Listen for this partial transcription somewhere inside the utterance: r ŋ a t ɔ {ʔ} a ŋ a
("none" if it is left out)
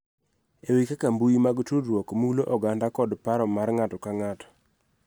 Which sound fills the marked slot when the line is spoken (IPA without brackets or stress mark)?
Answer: k